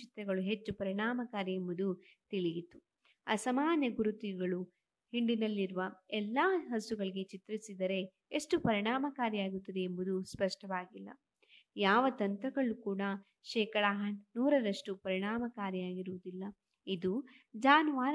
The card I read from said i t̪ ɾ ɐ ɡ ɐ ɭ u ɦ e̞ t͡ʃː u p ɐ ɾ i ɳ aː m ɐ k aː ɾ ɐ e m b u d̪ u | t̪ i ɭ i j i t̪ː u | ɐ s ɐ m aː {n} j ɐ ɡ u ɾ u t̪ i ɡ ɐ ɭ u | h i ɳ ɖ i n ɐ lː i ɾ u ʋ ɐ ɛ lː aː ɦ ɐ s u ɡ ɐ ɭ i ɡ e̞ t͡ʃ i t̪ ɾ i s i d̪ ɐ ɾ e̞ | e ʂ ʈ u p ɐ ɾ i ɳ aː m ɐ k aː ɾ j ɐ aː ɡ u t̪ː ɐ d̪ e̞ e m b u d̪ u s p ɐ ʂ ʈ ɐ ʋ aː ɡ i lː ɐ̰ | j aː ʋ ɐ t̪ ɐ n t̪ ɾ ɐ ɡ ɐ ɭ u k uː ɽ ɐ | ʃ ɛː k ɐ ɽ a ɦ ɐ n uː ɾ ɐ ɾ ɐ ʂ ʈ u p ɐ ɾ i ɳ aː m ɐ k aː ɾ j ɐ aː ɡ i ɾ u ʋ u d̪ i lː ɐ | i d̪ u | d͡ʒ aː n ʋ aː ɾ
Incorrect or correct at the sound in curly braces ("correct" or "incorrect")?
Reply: correct